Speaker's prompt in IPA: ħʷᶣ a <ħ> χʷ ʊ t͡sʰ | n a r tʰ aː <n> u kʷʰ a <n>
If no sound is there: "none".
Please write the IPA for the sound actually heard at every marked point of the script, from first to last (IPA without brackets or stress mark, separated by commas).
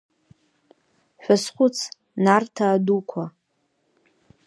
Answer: s, d, none